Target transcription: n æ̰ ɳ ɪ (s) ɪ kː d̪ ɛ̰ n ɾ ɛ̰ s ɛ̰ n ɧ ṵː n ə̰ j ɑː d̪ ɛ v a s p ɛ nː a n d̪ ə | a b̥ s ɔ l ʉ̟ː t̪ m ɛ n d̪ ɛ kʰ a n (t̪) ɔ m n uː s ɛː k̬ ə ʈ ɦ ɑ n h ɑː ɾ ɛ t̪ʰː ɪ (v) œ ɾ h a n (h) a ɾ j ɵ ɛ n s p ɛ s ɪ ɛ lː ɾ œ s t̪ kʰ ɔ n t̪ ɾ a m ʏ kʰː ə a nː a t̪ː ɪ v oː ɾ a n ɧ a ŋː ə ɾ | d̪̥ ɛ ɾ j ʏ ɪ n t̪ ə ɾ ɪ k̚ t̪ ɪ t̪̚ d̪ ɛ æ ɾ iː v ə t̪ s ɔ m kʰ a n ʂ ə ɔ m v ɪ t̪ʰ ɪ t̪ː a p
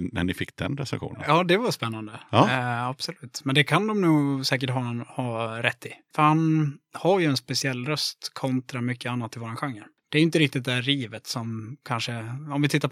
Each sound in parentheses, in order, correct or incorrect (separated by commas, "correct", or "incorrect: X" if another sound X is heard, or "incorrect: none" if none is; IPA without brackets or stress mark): incorrect: f, incorrect: d̪, incorrect: f, correct